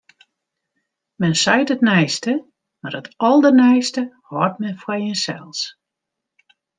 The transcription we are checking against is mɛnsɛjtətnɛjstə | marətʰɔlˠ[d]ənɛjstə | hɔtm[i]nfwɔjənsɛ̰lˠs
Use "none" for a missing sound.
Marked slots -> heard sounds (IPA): d, ɛ

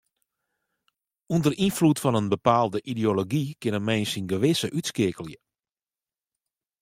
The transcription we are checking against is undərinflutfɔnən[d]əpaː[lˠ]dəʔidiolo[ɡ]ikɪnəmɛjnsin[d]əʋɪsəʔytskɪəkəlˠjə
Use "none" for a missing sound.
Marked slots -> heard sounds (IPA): b, lˠ, ɡ, ɡ

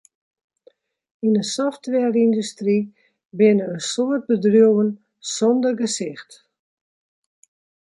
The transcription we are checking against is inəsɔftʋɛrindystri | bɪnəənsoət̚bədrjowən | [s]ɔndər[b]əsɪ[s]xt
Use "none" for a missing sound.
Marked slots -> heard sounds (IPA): s, ɡ, none

